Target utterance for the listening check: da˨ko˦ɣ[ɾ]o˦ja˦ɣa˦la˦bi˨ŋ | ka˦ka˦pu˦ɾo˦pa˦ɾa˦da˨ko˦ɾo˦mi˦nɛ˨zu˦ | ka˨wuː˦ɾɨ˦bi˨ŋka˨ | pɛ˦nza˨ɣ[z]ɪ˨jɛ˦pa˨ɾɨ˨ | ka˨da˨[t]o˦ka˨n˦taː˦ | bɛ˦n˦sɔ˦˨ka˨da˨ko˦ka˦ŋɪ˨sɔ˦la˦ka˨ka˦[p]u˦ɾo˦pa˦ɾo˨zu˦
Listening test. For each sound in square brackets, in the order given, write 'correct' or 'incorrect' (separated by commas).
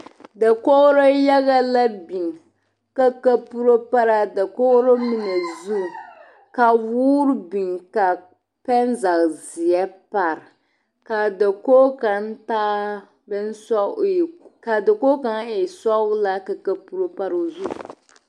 correct, correct, incorrect, correct